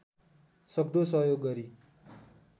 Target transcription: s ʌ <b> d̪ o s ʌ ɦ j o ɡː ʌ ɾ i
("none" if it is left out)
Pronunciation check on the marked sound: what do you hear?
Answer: b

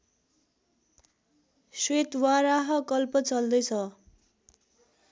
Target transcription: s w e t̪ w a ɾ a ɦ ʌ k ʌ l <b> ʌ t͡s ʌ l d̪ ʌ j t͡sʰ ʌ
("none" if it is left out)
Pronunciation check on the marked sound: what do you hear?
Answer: p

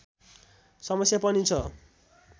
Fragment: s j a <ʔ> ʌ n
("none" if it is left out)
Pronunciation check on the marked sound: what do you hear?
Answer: p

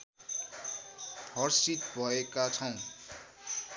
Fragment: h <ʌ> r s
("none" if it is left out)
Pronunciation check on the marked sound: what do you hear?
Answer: ʌ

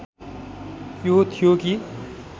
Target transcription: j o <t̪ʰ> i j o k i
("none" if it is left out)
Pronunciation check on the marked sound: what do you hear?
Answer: t̪ʰ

